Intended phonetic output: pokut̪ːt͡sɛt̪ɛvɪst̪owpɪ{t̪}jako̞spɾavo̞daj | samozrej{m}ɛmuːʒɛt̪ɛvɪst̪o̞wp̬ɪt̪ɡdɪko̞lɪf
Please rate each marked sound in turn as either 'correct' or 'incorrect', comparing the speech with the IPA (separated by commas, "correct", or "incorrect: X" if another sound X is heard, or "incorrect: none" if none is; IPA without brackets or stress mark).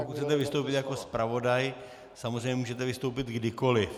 correct, incorrect: ɲ